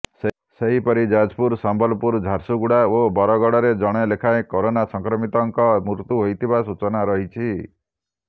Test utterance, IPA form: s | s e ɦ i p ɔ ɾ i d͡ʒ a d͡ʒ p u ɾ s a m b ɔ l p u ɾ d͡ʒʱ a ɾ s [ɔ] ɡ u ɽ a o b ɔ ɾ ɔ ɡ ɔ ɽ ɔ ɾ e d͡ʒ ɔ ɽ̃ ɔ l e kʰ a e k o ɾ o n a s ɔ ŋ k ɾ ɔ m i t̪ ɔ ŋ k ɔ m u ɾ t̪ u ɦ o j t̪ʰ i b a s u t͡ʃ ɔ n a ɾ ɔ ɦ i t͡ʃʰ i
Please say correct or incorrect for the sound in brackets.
incorrect